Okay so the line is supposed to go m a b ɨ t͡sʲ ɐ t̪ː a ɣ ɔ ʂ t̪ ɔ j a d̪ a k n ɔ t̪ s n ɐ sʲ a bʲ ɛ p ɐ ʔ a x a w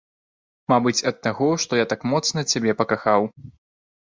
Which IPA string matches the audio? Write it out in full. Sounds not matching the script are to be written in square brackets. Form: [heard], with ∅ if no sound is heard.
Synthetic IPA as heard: m a b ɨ t͡sʲ ɐ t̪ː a ɣ ɔ ʂ t̪ ɔ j a [t̪] a k [m] ɔ t̪ s n ɐ [t͡sʲ] a bʲ ɛ p ɐ [k] a x a w